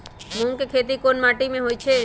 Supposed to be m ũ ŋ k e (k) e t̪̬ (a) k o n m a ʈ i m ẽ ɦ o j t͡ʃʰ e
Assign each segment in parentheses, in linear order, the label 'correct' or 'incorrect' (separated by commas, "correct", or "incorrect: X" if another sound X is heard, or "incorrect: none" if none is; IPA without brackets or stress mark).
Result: incorrect: kʰ, incorrect: i